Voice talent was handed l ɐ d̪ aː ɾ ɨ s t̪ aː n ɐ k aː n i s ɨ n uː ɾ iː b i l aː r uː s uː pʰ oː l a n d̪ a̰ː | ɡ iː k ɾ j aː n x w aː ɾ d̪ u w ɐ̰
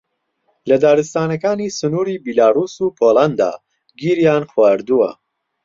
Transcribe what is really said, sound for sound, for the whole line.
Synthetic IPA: l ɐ d̪ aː ɾ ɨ s t̪ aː n ɐ k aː n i s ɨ n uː ɾ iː b i l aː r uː s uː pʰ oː l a n d̪ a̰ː | ɡ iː ɾ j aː n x w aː ɾ d̪ u w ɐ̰